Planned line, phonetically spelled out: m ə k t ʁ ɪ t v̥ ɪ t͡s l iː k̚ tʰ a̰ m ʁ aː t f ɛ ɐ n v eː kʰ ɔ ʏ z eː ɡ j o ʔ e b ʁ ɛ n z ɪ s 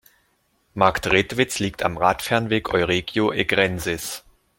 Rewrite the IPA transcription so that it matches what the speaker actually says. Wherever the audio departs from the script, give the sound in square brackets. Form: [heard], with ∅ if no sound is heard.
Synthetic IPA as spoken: m [a] k t ʁ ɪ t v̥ ɪ t͡s l iː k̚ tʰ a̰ m ʁ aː t f ɛ ɐ n v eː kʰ ɔ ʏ [ʁ] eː ɡ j o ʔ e [ɡ] ʁ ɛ n z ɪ s